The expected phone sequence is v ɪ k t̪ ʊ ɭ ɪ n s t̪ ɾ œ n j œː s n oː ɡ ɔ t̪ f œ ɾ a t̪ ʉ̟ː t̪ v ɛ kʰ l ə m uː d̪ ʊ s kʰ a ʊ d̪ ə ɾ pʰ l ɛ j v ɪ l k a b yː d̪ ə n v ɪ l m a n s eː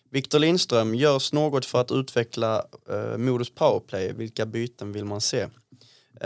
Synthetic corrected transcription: v ɪ k t̪ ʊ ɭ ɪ n s t̪ ɾ œ m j œː s n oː ɡ ɔ t̪ f œ ɾ a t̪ ʉ̟ː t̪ v ɛ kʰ l a m uː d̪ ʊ s pʰ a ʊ ə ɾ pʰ l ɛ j v ɪ l k a b yː t̪ ə n v ɪ l m a n s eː